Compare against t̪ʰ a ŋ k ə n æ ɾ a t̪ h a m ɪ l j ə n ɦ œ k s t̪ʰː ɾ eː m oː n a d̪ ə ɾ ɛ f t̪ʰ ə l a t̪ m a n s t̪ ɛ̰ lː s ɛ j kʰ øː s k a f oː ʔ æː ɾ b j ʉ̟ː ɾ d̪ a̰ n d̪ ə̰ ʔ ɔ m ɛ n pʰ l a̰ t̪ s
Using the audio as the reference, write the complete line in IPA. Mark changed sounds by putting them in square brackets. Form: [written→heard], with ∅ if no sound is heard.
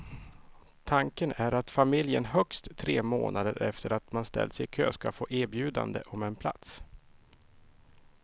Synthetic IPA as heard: t̪ʰ a ŋ k ə n æ ɾ a t̪ [h→f] a m ɪ l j ə n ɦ œ k s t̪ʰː ɾ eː m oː n a d̪ ə ɾ ɛ f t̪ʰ ə [l→ɾ] a t̪ m a n s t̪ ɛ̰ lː s ɛ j kʰ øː s k a f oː ʔ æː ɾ b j ʉ̟ː [ɾ→∅] d̪ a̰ n d̪ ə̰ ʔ ɔ m ɛ n pʰ l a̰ t̪ s